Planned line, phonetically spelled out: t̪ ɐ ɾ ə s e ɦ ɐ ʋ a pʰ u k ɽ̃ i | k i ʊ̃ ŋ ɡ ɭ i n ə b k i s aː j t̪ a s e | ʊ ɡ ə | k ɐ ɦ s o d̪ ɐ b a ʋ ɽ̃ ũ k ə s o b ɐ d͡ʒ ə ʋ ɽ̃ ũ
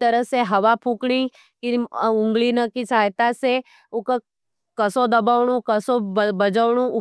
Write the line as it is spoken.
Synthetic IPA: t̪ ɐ ɾ ə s e ɦ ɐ ʋ a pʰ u k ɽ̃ i | k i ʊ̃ ŋ ɡ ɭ i n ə k i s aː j t̪ a s e | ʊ k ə | k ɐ s o d̪ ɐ b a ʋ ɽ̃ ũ k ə s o b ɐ d͡ʒ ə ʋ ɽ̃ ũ